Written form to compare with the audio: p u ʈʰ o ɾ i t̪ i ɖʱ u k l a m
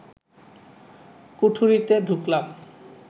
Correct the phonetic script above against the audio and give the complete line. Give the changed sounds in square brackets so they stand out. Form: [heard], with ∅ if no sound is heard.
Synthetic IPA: [k] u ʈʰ [u] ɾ i t̪ [e] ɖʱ u k l a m

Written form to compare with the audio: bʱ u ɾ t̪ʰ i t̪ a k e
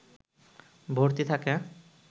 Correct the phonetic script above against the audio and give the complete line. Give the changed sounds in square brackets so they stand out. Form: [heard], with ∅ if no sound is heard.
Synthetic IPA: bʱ [o] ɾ [t̪] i [t̪ʰ] a k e

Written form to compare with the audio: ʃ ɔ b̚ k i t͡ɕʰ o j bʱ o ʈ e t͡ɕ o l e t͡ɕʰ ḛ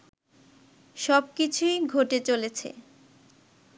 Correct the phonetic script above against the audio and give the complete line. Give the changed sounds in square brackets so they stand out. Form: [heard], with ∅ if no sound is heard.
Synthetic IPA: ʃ ɔ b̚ k i t͡ɕʰ [u] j [ɡʱ] o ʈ e t͡ɕ o l e t͡ɕʰ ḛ

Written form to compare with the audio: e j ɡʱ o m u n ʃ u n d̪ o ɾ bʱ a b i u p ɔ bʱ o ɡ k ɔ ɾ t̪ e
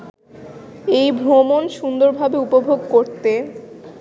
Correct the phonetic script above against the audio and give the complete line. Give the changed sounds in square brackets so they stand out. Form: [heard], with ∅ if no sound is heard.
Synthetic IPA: e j [bʱ] o m [o] n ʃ u n d̪ o ɾ bʱ a b [e] u p [o] bʱ o ɡ k [o] ɾ t̪ e

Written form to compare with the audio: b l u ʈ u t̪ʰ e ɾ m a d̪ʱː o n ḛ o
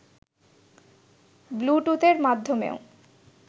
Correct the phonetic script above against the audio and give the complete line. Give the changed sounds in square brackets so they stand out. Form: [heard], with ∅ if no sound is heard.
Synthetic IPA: b l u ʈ u [t̪] e ɾ m a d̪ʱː o [m] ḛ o

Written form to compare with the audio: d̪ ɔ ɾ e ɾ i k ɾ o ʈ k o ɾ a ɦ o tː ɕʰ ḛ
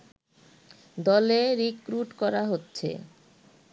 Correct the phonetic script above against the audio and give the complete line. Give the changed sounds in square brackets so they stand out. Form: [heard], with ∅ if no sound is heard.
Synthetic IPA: d̪ ɔ [l] e ɾ i k ɾ [u] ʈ k [ɔ] ɾ a ɦ o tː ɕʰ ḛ

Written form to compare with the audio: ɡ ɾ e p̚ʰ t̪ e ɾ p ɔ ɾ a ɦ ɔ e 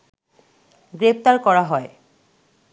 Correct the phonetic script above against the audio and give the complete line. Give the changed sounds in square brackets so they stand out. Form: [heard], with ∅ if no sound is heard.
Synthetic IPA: ɡ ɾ e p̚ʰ t̪ [a] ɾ [k] ɔ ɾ a ɦ ɔ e

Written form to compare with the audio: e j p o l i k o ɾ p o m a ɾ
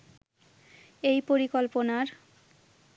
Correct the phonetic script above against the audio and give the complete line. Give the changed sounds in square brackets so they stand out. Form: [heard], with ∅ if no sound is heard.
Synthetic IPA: e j p o [ɾ] i k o [l] p o [n] a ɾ

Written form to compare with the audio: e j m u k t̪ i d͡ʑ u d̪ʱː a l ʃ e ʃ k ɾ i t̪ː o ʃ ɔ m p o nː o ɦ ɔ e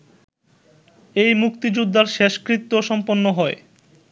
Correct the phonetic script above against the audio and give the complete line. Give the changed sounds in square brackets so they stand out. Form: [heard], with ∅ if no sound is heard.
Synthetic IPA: e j m u k t̪ i d͡ʑ u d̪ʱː a [ɾ] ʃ e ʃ k ɾ i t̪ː o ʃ ɔ m p o nː o ɦ ɔ e

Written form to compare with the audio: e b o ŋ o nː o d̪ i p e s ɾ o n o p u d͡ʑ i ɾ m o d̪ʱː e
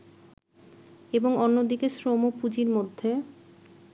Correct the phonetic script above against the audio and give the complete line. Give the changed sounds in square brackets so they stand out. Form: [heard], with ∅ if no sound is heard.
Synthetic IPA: e b o ŋ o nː o d̪ i [k] e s ɾ o [m] o p u d͡ʑ i ɾ m o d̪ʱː e

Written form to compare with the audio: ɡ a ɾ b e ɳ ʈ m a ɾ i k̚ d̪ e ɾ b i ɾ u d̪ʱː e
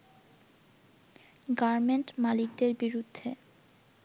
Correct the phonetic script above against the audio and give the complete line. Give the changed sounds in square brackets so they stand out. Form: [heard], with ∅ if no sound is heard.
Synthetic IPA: ɡ a ɾ [m] e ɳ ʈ m a [l] i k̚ d̪ e ɾ b i ɾ u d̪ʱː e

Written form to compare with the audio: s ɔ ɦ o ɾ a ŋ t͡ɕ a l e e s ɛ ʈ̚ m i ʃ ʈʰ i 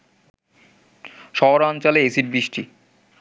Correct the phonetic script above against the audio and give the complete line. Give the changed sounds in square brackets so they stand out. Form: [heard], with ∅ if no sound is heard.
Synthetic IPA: [ʃ] ɔ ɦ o ɾ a [n] t͡ɕ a l e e s [i] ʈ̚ [b] i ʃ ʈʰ i

